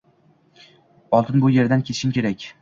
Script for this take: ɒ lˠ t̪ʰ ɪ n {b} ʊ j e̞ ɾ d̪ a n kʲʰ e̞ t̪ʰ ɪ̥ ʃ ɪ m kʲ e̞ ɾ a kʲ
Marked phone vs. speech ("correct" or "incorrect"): correct